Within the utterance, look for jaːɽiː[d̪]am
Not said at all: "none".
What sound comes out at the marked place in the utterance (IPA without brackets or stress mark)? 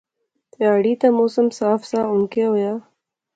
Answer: t̪